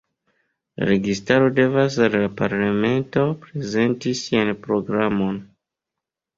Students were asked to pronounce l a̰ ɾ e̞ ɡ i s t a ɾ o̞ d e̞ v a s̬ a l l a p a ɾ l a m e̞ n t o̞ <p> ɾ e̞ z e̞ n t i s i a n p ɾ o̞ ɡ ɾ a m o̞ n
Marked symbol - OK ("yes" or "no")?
yes